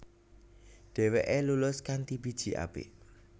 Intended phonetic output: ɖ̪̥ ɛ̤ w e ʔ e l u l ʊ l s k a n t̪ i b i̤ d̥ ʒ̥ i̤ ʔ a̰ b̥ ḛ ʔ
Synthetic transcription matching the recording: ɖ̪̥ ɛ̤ w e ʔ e l u l ʊ s k a n t̪ i b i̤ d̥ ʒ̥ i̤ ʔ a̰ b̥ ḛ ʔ